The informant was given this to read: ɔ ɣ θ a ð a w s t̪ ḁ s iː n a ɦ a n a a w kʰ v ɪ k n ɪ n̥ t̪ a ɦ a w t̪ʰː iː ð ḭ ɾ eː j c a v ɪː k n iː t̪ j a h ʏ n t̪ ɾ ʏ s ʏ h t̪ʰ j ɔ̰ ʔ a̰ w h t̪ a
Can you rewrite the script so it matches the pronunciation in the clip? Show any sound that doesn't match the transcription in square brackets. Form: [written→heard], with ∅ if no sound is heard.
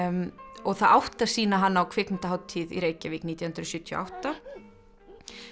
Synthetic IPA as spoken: ɔ ɣ θ a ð a w [s→h] t̪ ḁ s iː n a ɦ a [n→nː] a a w kʰ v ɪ k n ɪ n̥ t̪ a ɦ a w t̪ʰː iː ð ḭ ɾ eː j c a v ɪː k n iː t̪ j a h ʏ n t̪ ɾ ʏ s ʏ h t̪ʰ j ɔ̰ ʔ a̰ w h t̪ a